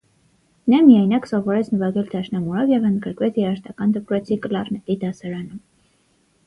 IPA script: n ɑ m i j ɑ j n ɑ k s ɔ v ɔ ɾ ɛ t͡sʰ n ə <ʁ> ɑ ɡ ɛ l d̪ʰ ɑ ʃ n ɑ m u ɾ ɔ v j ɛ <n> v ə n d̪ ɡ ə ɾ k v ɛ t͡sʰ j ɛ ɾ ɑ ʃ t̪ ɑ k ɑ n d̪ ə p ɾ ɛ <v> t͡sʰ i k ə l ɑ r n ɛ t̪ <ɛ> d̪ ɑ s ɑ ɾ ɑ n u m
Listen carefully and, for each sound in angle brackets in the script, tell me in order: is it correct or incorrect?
incorrect, incorrect, incorrect, incorrect

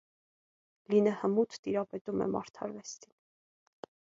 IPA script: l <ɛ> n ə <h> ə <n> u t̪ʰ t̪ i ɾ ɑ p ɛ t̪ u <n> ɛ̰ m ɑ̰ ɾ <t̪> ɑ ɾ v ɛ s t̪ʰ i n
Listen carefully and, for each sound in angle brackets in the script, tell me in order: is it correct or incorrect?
incorrect, correct, incorrect, incorrect, incorrect

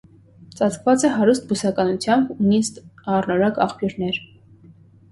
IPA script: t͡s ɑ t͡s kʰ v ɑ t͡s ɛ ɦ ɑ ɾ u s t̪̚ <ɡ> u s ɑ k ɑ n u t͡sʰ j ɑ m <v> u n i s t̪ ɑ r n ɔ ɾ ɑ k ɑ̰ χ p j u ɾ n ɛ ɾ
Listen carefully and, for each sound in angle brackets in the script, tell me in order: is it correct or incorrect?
incorrect, incorrect

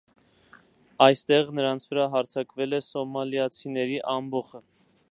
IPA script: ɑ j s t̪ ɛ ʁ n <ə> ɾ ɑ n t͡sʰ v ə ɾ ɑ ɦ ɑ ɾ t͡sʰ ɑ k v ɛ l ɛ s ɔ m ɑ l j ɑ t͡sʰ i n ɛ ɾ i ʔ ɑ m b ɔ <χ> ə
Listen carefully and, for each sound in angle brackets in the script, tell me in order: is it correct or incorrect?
correct, correct

